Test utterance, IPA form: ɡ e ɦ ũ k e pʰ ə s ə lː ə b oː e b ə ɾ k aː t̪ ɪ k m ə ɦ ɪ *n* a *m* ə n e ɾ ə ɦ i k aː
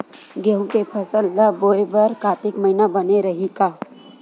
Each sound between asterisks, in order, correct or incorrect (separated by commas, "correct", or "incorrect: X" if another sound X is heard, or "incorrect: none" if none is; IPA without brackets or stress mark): correct, incorrect: b